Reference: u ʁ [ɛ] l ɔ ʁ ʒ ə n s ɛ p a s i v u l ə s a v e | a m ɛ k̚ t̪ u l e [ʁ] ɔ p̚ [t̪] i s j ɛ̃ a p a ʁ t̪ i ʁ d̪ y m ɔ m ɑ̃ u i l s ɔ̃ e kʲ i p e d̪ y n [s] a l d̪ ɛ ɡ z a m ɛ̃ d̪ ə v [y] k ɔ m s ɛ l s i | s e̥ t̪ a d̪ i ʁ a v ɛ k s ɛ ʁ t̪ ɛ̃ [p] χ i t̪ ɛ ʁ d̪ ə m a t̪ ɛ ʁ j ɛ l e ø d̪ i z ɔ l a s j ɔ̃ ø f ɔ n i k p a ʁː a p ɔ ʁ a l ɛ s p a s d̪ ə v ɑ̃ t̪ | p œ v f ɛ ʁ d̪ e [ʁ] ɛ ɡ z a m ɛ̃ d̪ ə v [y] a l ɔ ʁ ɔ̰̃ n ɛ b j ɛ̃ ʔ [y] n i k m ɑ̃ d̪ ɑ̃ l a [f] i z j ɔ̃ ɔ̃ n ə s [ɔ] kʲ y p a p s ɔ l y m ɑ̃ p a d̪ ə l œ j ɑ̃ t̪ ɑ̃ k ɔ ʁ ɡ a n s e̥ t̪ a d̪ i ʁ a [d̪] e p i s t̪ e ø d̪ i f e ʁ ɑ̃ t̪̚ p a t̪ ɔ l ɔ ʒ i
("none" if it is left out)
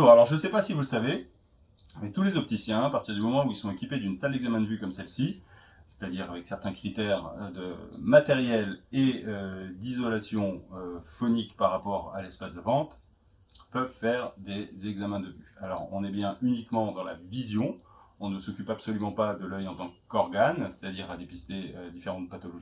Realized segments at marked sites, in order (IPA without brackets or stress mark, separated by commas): a, z, t̪, s, y, k, z, y, y, v, ɔ, d̪